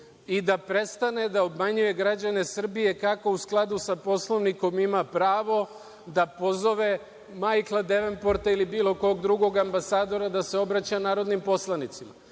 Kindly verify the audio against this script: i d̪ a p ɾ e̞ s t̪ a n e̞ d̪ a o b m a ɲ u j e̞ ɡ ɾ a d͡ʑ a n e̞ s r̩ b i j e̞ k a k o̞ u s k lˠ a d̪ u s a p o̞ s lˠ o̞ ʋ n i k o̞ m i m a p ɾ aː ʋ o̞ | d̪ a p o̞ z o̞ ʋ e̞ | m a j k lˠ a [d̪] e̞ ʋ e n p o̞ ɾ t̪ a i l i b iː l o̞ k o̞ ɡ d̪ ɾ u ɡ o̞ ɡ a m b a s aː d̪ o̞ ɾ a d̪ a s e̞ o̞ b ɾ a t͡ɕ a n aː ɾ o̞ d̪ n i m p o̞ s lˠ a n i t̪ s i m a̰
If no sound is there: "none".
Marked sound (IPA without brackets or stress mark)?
d̪